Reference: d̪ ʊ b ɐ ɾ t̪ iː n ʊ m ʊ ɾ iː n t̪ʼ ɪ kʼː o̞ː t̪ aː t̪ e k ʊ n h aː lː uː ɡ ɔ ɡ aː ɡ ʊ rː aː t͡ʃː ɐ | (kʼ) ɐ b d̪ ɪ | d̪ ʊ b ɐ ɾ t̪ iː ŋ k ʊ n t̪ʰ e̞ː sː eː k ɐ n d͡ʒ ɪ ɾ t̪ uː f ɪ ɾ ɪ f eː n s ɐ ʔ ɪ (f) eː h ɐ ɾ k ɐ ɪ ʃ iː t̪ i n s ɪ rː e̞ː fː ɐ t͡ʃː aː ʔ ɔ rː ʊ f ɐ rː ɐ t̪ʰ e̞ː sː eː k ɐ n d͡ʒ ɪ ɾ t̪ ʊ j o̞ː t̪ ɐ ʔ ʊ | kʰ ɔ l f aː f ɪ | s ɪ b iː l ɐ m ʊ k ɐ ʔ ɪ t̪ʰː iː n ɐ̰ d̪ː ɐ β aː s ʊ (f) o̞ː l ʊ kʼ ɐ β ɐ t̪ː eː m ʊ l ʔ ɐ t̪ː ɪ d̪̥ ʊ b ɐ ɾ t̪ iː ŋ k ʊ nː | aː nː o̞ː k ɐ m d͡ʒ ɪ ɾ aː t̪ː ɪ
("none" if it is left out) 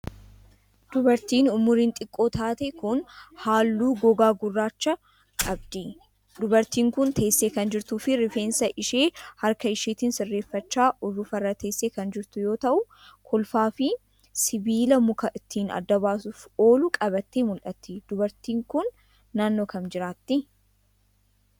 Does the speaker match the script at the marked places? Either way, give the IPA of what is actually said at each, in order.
kʼ, ʃ, f

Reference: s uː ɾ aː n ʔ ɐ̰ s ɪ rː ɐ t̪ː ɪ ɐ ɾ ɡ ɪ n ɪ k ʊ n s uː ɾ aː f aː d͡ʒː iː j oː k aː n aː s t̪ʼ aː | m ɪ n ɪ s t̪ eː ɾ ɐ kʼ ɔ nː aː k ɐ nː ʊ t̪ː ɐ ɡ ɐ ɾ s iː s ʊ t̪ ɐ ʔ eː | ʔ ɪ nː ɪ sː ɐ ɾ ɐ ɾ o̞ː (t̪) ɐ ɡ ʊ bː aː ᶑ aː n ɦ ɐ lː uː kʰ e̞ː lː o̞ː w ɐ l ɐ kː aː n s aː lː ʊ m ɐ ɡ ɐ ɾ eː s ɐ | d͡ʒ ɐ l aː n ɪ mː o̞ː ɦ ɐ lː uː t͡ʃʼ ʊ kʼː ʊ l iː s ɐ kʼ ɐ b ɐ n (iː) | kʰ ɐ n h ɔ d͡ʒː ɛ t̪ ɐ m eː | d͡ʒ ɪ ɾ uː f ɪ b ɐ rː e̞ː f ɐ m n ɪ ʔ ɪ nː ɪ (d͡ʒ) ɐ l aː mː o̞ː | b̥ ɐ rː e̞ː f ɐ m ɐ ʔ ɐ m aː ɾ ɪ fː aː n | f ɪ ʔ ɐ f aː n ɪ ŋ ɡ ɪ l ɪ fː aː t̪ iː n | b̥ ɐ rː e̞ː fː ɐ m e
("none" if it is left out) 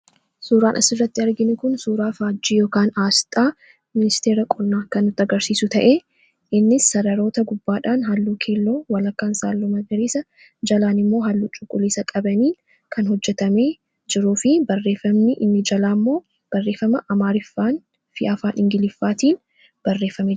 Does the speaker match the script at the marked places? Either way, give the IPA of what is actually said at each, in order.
t̪, iː, d͡ʒ

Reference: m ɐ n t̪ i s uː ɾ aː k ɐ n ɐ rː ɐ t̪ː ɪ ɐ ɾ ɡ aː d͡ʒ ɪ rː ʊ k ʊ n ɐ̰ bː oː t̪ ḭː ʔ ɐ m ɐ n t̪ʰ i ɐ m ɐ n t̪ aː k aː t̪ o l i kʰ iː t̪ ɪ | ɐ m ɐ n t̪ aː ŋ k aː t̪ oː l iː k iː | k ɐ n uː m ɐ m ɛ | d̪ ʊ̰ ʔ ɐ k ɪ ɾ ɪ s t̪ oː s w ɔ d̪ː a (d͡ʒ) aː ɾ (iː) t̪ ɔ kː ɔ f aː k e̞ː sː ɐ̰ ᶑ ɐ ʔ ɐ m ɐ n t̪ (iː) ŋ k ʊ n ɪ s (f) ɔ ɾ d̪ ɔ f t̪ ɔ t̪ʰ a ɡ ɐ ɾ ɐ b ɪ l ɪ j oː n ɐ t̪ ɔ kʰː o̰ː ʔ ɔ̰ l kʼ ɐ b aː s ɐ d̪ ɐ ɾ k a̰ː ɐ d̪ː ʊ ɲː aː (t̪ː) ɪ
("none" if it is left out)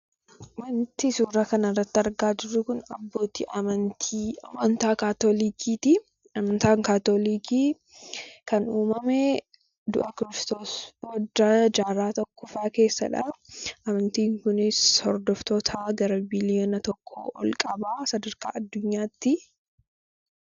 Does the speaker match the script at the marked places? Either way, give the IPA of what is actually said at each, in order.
d͡ʒ, aː, iː, h, t̪ː

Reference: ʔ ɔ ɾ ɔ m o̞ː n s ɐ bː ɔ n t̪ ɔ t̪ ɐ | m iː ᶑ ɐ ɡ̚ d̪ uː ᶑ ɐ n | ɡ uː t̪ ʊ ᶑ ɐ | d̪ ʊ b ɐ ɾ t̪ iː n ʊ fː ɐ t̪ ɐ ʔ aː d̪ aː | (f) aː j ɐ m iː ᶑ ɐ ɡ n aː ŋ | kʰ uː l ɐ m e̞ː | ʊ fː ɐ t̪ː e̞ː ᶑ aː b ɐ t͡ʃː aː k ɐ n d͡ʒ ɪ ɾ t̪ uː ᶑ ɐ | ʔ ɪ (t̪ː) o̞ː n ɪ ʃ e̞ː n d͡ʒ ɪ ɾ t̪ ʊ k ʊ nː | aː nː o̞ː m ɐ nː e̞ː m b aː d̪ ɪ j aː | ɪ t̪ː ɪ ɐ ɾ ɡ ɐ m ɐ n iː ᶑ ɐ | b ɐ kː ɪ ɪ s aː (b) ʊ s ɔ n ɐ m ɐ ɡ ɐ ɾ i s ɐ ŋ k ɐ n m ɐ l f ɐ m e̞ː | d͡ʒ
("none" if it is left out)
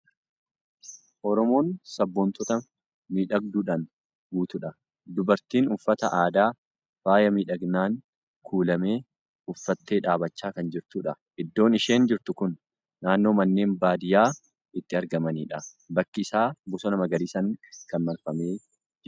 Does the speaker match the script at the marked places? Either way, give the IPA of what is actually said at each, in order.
f, d̪ː, b

